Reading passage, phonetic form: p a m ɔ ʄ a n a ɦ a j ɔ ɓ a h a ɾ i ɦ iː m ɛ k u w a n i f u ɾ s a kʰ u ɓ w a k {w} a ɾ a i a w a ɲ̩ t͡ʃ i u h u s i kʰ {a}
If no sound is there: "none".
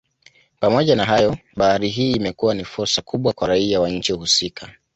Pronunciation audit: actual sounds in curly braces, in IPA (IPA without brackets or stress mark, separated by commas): w, a